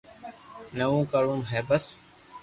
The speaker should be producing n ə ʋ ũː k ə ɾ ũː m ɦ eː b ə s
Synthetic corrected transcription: n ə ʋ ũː k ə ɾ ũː m ɦ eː b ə s